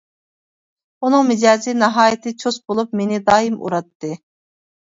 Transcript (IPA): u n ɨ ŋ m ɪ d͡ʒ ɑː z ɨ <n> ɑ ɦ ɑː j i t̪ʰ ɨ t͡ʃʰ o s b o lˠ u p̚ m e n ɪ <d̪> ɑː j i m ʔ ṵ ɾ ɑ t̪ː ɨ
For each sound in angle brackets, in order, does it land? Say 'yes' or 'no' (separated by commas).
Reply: yes, yes